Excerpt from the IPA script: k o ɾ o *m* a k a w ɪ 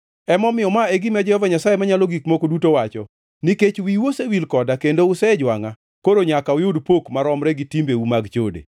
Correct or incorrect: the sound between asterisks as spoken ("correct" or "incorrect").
incorrect